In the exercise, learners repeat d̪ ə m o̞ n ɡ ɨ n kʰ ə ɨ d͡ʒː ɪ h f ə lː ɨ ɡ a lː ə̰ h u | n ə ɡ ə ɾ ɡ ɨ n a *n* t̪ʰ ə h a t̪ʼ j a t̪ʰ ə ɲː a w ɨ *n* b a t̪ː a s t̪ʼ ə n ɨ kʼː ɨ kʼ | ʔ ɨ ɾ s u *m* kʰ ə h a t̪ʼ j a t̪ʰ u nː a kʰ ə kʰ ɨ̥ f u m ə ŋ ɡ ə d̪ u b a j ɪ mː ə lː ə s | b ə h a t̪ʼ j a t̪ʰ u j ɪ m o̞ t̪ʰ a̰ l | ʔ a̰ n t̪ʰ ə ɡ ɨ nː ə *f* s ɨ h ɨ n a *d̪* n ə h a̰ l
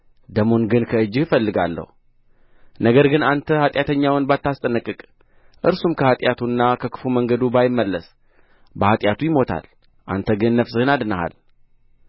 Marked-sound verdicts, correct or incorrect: correct, correct, correct, correct, correct

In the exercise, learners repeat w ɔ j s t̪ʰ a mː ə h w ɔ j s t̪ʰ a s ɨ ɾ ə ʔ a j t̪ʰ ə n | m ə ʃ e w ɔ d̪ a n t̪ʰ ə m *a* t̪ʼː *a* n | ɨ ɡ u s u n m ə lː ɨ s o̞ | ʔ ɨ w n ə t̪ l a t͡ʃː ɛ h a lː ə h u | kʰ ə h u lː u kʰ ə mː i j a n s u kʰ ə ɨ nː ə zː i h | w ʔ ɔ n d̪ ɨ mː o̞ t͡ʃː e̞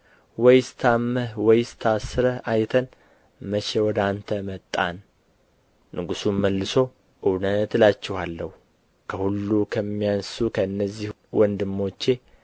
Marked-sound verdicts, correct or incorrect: incorrect: ə, correct

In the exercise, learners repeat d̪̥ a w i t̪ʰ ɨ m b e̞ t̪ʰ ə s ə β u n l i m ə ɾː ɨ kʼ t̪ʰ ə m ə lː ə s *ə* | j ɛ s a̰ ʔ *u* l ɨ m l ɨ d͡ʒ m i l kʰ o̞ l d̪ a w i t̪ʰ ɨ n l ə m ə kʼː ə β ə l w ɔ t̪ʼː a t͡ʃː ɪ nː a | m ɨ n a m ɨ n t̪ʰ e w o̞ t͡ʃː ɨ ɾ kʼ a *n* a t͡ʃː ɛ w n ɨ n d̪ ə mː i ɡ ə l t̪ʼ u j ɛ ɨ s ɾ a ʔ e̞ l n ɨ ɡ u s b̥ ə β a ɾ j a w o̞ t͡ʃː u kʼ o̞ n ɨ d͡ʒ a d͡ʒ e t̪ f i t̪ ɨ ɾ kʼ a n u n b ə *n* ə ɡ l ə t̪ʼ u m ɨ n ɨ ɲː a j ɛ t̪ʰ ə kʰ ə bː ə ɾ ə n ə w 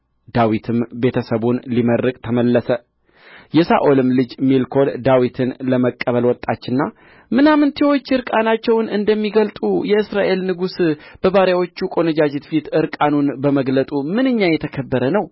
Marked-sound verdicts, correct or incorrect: correct, incorrect: o, correct, incorrect: m

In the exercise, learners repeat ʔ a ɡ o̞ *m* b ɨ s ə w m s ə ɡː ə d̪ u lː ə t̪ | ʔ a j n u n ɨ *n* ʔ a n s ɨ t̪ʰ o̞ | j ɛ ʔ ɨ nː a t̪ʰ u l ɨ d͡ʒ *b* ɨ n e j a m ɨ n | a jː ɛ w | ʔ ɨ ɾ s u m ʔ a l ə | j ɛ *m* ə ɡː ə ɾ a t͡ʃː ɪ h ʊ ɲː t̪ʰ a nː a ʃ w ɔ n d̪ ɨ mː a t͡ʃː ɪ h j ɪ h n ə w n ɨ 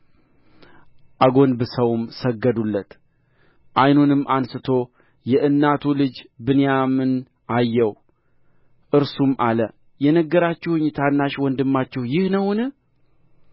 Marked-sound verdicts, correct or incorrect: incorrect: n, incorrect: m, correct, incorrect: n

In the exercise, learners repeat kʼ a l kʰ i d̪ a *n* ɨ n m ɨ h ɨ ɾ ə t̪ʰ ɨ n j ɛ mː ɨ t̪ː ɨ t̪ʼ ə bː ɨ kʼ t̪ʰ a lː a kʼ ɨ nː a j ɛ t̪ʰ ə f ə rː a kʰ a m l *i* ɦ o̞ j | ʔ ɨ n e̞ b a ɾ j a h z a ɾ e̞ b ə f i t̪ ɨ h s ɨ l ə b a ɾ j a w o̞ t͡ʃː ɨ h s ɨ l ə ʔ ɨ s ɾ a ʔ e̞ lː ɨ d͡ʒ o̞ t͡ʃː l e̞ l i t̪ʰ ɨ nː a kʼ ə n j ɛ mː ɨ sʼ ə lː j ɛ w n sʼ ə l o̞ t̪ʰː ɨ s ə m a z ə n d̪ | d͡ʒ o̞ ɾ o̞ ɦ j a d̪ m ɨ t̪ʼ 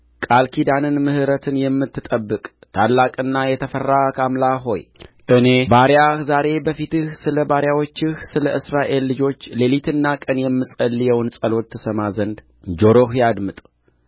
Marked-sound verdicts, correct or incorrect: correct, incorrect: a

